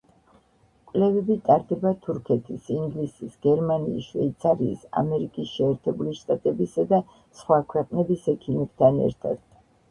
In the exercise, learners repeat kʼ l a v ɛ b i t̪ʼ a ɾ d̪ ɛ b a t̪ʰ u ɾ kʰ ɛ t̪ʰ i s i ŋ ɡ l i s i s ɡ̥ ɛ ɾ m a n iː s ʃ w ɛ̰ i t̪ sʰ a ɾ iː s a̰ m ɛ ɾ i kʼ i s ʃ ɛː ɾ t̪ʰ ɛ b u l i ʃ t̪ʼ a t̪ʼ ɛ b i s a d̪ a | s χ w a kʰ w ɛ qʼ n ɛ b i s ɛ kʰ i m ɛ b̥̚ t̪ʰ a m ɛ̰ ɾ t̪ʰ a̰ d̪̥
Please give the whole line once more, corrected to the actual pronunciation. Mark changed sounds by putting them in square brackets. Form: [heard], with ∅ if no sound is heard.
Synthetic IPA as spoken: kʼ l [ɛ] v ɛ b i t̪ʼ a ɾ d̪ ɛ b a t̪ʰ u ɾ kʰ ɛ t̪ʰ i s i ŋ ɡ l i s i s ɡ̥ ɛ ɾ m a n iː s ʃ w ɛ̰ i t̪ sʰ a ɾ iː s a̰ m ɛ ɾ i kʼ i s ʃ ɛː ɾ t̪ʰ ɛ b u l i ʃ t̪ʼ a t̪ʼ ɛ b i s a d̪ a | s χ w a kʰ w ɛ qʼ n ɛ b i s ɛ kʰ i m ɛ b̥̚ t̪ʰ a [n] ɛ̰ ɾ t̪ʰ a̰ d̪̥